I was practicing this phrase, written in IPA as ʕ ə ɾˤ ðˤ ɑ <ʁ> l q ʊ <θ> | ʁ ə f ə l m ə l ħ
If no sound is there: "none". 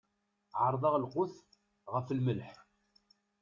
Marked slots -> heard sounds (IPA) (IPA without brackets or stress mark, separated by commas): ʁ, θ